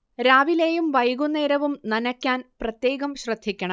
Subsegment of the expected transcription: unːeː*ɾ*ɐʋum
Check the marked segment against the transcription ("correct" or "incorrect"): correct